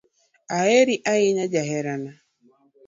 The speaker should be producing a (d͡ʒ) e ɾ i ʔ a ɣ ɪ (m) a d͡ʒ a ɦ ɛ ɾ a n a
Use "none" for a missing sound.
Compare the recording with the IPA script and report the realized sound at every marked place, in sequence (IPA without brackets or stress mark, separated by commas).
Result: none, ɲ